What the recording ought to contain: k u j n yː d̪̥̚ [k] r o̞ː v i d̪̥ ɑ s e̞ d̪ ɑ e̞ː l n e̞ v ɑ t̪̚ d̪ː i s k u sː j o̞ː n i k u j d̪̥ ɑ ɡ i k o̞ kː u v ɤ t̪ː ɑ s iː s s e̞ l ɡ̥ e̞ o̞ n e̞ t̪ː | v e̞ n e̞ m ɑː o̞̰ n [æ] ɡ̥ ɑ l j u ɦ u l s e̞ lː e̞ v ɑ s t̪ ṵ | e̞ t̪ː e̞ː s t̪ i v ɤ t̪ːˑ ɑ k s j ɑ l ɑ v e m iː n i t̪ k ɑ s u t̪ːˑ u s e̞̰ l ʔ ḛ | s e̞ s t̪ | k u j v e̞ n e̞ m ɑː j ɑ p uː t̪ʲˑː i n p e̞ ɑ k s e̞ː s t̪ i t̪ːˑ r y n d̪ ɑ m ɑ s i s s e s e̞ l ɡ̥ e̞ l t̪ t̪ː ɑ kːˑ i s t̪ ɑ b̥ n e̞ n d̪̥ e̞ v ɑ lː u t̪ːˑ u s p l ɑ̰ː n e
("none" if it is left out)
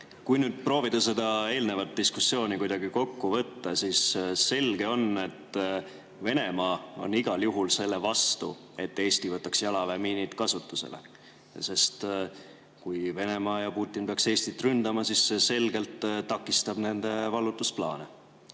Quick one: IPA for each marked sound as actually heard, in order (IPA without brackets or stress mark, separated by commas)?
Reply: p, i